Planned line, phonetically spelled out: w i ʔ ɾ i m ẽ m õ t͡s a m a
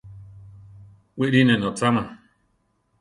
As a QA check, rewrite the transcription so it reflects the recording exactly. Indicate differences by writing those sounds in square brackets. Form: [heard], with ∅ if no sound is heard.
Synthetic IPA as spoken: w i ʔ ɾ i [n] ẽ [n] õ t͡s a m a